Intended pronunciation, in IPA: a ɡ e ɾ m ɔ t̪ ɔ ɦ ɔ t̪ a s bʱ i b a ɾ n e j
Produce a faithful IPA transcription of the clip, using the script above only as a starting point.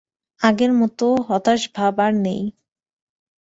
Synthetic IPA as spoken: a ɡ e ɾ m ɔ t̪ o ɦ ɔ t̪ a ʃ bʱ a b a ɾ n e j

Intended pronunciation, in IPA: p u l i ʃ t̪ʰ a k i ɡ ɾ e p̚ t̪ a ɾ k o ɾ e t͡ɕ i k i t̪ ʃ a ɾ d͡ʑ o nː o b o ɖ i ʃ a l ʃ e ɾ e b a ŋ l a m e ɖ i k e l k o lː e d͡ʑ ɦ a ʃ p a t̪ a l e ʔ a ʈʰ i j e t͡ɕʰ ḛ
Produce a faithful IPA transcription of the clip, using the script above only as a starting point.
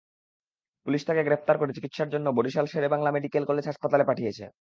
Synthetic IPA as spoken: p u l i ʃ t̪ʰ a k e ɡ ɾ e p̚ t̪ a ɾ k o ɾ e t͡ɕ i k i t̪ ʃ a ɾ d͡ʑ o nː o b o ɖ i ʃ a l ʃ e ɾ e b a ŋ l a m e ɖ i k e l k o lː e d͡ʑ ɦ a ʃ p a t̪ a l e p a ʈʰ i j e t͡ɕʰ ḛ

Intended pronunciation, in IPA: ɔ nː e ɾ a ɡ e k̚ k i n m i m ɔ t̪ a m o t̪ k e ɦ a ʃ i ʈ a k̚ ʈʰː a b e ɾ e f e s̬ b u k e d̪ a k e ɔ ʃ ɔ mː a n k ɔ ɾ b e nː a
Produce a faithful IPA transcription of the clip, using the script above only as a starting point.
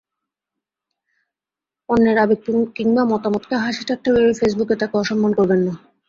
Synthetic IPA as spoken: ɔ nː e ɾ a b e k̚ k i ŋ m a m ɔ t̪ a m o t̪ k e ɦ a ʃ i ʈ a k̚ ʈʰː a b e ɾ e f e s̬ b u k e t̪ a k e ɔ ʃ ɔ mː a n k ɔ ɾ b e nː a

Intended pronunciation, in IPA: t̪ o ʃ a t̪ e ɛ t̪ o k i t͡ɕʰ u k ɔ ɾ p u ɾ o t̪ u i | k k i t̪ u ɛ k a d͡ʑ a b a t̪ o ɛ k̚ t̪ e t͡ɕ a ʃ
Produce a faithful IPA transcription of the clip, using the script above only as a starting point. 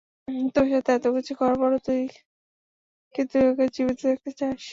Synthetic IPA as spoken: t̪ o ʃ a t̪ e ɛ t̪ o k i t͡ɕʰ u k ɔ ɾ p ɔ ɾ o t̪ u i | k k i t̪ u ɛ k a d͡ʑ i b i t̪ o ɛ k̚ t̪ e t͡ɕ a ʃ

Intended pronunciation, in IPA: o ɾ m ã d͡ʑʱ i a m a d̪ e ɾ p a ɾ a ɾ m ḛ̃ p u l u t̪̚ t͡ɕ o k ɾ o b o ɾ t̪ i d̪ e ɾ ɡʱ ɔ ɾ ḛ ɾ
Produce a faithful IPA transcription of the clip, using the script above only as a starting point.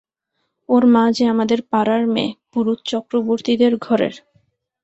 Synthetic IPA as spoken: o ɾ m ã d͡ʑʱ e a m a d̪ e ɾ p a ɾ a ɾ m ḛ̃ p u ɾ u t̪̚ t͡ɕ ɔ k ɾ o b o ɾ t̪ i d̪ e ɾ ɡʱ ɔ ɾ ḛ ɾ

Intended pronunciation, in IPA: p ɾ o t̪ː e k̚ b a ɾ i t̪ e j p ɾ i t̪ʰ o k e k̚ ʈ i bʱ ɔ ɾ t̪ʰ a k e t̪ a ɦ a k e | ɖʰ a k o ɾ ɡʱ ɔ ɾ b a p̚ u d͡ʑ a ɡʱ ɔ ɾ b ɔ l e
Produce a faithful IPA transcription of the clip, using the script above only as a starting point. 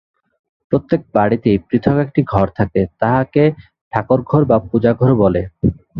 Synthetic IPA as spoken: p ɾ o t̪ː e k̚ b a ɽ i t̪ e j p ɾ i t̪ʰ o k e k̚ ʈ i ɡʱ ɔ ɾ t̪ʰ a k e t̪ a ɦ a k e | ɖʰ a k o ɾ ɡʱ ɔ ɾ b a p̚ u d͡ʑ a ɡʱ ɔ ɾ b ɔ l e

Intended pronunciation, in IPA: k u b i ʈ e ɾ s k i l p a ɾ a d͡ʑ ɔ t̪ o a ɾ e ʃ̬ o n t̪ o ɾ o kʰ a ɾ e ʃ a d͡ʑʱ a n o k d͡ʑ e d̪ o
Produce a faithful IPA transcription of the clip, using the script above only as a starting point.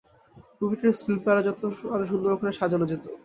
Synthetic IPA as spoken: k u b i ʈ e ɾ s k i l p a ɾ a d͡ʑ ɔ t̪ o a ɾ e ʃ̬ u n d̪ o ɾ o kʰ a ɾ e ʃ a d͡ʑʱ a n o d͡ʑ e t̪ o

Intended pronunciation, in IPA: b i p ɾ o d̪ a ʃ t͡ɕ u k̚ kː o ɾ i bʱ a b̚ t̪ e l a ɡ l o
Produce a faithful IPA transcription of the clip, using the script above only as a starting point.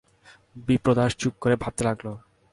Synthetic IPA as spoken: b i p ɾ o d̪ a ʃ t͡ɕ u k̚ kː o ɾ e bʱ a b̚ t̪ e l a ɡ l o

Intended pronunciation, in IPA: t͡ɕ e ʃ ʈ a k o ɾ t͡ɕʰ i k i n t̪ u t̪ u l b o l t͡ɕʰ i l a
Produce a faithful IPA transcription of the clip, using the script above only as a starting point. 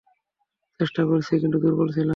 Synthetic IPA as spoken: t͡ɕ e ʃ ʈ a k o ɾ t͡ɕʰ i k i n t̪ u d̪ u ɾ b o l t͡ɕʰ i l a

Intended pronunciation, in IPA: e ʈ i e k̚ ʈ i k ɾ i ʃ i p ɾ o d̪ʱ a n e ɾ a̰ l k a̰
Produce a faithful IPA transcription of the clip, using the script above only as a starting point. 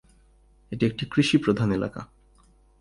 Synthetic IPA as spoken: e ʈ i e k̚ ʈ i k ɾ i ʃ i p ɾ o d̪ʱ a n e l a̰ k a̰

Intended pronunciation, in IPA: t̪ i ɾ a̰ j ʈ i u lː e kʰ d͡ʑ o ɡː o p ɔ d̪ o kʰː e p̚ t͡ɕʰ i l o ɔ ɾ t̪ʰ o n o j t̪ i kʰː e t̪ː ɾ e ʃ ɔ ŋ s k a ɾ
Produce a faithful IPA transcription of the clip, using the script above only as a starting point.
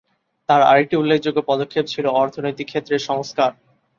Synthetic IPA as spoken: t̪ a ɾ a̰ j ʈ i u lː e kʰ d͡ʑ o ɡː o p ɔ d̪ o kʰː e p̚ t͡ɕʰ i l o ɔ ɾ t̪ʰ o n o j t̪ i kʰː e t̪ː ɾ e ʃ ɔ ŋ s k a ɾ

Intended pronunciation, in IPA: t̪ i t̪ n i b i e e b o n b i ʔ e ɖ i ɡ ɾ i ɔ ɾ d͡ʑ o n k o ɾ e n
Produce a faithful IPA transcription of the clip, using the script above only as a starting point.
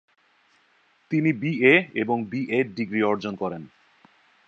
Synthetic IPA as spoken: t̪ i n i b i e e b o ŋ b i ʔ e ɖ i ɡ ɾ i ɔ ɾ d͡ʑ o n k ɔ ɾ e n

